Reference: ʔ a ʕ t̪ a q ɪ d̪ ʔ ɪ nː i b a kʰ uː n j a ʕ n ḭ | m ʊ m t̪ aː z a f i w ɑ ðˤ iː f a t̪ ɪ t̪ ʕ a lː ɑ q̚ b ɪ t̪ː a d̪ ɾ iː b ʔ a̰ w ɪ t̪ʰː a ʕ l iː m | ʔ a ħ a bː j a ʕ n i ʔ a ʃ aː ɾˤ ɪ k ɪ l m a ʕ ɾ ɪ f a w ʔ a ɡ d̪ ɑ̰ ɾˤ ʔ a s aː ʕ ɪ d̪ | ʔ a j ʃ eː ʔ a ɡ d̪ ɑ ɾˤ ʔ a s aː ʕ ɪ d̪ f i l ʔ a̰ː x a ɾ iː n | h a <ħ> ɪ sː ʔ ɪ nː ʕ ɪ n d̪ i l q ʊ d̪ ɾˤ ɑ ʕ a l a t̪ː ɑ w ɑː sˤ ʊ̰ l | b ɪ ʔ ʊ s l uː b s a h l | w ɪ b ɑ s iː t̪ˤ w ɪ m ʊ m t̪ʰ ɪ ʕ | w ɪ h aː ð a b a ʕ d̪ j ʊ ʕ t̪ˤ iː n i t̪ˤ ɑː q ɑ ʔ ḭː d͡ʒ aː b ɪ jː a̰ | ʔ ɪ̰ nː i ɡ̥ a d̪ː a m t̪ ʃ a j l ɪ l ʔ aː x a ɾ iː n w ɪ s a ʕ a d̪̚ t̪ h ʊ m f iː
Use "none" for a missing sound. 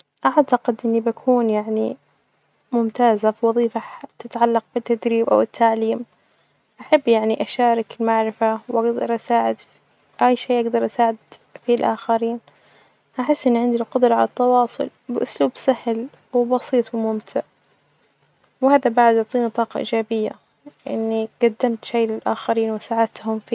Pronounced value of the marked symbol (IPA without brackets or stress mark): ħ